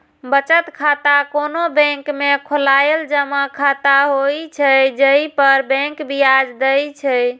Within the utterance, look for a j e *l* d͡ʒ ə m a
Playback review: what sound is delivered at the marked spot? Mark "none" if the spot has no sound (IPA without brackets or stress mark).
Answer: l